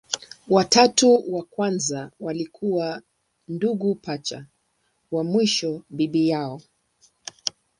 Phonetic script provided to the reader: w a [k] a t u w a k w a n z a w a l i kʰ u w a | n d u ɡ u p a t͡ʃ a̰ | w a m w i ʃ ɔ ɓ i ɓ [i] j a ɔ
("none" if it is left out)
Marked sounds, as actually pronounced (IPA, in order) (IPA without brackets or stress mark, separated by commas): t, i